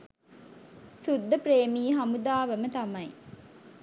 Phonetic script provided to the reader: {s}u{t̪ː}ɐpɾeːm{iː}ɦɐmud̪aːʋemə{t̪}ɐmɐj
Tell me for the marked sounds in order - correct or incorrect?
correct, incorrect: d̪ː, correct, correct

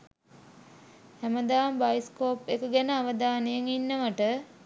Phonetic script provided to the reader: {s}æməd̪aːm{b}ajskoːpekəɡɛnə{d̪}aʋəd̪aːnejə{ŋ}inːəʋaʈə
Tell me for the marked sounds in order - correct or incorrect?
incorrect: h, correct, incorrect: none, correct

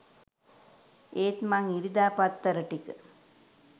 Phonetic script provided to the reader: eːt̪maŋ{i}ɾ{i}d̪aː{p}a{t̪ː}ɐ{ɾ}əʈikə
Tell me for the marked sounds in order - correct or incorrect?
correct, correct, correct, correct, correct

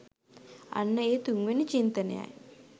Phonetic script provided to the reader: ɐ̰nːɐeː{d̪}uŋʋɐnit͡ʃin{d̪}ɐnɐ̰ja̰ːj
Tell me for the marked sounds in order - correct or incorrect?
incorrect: t̪, incorrect: t̪

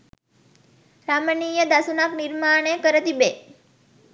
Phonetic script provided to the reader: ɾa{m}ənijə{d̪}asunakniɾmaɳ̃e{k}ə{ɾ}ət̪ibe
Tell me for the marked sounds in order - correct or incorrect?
correct, correct, correct, correct

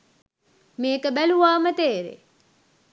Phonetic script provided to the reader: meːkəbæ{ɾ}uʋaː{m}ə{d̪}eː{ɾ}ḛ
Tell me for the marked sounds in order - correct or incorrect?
incorrect: l, correct, incorrect: t̪, correct

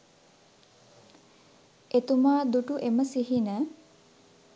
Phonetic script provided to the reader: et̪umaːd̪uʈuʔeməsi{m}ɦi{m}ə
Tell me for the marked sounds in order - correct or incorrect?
incorrect: none, incorrect: n

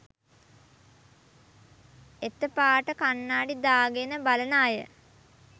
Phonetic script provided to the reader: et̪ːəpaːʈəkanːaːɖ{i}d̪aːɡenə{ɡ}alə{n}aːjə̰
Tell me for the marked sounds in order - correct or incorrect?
correct, incorrect: b, correct

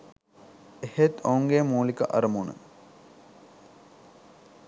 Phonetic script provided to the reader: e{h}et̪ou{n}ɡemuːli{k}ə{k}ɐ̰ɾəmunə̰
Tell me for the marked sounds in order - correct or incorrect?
correct, incorrect: ŋ, correct, incorrect: ʔ

